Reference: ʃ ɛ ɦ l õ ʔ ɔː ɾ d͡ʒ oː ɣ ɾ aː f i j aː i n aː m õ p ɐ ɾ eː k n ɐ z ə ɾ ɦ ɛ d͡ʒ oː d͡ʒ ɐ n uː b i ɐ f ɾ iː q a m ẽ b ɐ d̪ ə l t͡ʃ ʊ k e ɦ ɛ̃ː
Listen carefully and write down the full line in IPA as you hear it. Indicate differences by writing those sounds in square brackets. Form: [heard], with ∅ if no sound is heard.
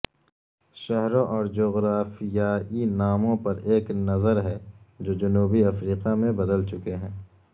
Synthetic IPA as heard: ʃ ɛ ɦ [ɾ] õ ʔ ɔː ɾ d͡ʒ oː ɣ ɾ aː f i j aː i n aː m õ p ɐ ɾ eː k n ɐ z ə ɾ ɦ ɛ d͡ʒ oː d͡ʒ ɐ n uː b i ɐ f ɾ iː q a m ẽ b ɐ d̪ ə l t͡ʃ ʊ k e ɦ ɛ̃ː

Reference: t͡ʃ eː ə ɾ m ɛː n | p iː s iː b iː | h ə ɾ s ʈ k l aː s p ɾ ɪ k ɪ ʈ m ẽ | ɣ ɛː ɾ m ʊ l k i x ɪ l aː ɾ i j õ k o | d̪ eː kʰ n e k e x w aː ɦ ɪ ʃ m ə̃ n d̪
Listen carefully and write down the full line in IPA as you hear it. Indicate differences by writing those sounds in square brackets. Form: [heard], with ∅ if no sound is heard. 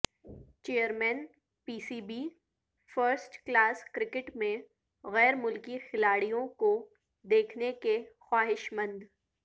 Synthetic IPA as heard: t͡ʃ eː ə ɾ m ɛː n | p iː s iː b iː | [f] ə ɾ s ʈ k l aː s [k] ɾ ɪ k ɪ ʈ m ẽ | ɣ ɛː ɾ m ʊ l k i x ɪ l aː [ɽ] i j õ k o | d̪ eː kʰ n e k e x w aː ɦ ɪ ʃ m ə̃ n d̪

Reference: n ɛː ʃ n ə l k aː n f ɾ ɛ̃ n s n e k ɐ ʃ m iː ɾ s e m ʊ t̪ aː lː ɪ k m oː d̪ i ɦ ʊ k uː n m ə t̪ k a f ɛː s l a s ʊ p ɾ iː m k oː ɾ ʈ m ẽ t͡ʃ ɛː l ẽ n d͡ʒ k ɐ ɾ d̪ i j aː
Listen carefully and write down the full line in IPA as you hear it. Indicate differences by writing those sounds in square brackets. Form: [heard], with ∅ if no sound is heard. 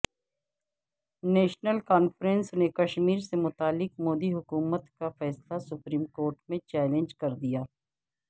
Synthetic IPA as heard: n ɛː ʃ n ə l k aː n f ɾ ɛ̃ n s n e k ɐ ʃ m iː ɾ s e m ʊ t̪ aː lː ɪ k m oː d̪ i ɦ ʊ k uː [∅] m ə t̪ k a f ɛː s l a s ʊ p ɾ iː m k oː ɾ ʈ m ẽ t͡ʃ ɛː l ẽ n d͡ʒ k ɐ ɾ d̪ i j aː

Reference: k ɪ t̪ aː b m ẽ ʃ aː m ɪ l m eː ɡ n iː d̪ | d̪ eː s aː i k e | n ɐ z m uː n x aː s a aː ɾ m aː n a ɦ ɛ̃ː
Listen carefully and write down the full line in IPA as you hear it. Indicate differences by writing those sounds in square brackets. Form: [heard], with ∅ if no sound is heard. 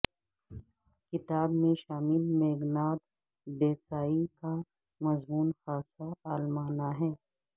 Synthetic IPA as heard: k ɪ t̪ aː b m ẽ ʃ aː m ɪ l m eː ɡ n [aː] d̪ | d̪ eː s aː i k [a] | [m] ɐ z m uː n x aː s a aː [l] m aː n a ɦ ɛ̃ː

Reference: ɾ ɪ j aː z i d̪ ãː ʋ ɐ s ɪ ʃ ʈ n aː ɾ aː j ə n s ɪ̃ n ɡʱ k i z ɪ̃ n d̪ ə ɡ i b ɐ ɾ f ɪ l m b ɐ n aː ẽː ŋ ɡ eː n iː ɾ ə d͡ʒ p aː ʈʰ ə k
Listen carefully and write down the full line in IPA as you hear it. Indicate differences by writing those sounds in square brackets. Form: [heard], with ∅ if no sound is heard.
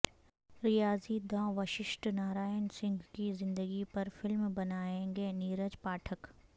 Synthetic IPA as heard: ɾ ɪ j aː z i d̪ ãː ʋ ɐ [ʃ] ɪ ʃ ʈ n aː ɾ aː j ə n s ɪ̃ [ŋ] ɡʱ k i z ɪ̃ n d̪ ə ɡ i [p] ɐ ɾ f ɪ l m b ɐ n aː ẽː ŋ ɡ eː n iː ɾ ə d͡ʒ p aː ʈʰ ə k

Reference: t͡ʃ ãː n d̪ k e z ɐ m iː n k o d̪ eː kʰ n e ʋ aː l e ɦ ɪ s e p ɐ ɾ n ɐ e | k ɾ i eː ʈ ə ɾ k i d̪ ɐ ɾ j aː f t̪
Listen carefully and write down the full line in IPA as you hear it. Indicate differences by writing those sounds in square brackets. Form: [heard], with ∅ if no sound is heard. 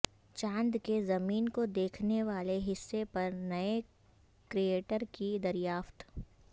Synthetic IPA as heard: t͡ʃ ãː n d̪ k e z ɐ m iː n k o d̪ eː kʰ n e ʋ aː l e ɦ ɪ [sː] e p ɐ ɾ n ɐ e | k ɾ i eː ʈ ə ɾ k i d̪ ɐ ɾ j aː f t̪

